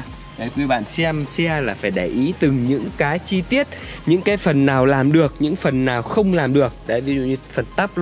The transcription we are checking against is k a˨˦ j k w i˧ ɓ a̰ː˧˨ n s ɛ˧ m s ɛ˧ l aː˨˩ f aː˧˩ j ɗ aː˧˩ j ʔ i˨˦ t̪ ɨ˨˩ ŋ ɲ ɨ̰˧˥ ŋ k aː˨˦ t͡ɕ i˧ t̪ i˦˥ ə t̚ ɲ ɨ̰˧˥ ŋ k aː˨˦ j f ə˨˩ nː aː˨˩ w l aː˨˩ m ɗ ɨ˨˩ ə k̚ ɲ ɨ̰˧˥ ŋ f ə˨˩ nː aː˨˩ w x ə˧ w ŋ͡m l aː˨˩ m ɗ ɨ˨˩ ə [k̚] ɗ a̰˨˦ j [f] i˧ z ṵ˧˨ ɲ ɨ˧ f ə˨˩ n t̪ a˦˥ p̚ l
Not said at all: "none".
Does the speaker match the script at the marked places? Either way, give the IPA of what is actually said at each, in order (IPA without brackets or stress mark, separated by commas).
k̚, v